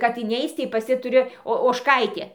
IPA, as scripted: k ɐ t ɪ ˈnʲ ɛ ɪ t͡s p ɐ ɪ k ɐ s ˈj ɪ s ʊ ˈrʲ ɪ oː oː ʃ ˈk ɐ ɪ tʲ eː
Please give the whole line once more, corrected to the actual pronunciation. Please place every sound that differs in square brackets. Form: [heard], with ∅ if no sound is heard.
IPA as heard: k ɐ t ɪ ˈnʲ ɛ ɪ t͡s [t] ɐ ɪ [p] ɐ s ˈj ɪ [t] ʊ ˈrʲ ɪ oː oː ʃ ˈk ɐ ɪ tʲ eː

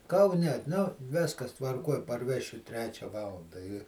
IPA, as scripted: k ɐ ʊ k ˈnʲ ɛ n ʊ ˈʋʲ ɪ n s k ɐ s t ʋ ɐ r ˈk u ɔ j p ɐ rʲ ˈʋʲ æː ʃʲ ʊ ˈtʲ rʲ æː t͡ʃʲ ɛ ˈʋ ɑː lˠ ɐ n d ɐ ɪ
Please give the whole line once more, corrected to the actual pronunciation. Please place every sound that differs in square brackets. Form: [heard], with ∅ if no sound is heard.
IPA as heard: k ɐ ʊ [∅] ˈnʲ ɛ n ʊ ˈʋʲ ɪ [∅] s k ɐ s t ʋ ɐ r ˈk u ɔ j p ɐ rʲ ˈʋʲ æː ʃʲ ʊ ˈtʲ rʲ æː t͡ʃʲ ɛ ˈʋ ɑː lˠ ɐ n d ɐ ɪ

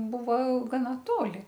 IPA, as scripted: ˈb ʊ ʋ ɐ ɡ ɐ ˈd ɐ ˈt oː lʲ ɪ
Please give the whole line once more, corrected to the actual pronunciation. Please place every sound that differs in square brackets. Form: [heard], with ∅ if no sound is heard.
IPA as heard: ˈb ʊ ʋ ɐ ɡ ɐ [ˈn] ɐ ˈt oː lʲ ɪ

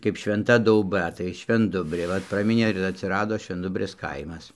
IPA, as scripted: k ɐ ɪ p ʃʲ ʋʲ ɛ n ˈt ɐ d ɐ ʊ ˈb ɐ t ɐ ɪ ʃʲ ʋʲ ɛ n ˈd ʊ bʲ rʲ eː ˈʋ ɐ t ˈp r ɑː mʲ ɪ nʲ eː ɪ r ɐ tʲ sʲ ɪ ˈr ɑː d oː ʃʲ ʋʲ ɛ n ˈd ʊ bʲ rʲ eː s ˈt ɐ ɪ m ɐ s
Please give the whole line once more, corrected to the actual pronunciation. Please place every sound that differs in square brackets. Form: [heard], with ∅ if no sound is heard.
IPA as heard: k ɐ ɪ p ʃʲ ʋʲ ɛ n ˈt ɐ d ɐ ʊ ˈb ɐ t ɐ ɪ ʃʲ ʋʲ ɛ n ˈd ʊ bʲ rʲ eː ˈʋ ɐ t ˈp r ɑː mʲ ɪ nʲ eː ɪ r ɐ tʲ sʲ ɪ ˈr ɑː d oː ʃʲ ʋʲ ɛ n ˈd ʊ bʲ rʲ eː s [ˈk] ɐ ɪ m ɐ s

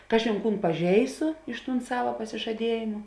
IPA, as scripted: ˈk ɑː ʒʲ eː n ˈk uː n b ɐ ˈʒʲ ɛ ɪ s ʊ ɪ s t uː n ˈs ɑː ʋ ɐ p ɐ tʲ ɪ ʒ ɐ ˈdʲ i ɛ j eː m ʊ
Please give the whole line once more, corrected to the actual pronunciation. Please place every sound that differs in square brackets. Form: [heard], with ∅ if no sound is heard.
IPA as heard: ˈk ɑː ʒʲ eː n ˈk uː n [p] ɐ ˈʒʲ ɛ ɪ s ʊ ɪ [ʃ] t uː n ˈs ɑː ʋ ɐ p ɐ [sʲ] ɪ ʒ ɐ ˈdʲ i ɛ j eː m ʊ

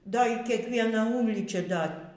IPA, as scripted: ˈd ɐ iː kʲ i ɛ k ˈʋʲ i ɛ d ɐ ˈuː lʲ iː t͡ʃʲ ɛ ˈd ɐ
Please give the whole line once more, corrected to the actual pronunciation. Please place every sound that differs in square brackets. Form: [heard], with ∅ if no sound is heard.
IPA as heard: ˈd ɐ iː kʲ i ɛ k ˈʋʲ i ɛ [n] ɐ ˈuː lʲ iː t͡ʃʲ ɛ ˈd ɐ

